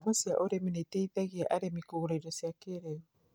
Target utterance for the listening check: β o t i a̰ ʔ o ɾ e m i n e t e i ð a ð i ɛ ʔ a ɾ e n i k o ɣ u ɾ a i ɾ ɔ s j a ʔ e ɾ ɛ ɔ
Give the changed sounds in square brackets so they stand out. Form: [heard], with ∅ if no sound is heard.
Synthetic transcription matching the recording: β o [s] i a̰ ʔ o ɾ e m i n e t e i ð a [ɣ] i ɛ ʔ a ɾ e [m] i k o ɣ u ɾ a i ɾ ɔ s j a [k] e ɾ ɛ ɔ